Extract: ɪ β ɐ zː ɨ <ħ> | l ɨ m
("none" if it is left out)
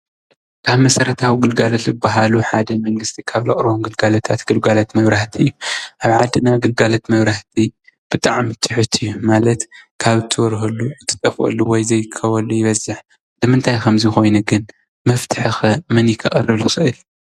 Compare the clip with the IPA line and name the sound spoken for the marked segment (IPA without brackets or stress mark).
ħ